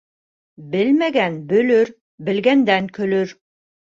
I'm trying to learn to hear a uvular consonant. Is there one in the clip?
no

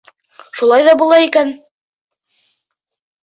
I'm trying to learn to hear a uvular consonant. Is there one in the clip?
no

